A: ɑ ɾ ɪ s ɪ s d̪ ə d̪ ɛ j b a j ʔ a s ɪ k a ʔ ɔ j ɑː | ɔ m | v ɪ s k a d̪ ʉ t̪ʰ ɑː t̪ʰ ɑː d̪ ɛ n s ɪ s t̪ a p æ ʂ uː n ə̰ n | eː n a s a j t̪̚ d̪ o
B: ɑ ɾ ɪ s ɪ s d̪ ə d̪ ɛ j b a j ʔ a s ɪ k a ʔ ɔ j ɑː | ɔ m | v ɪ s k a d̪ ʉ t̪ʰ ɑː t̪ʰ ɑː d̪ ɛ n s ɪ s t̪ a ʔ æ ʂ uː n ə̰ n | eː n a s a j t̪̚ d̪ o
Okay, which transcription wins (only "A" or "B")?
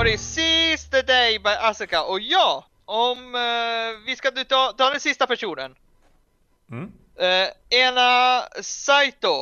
A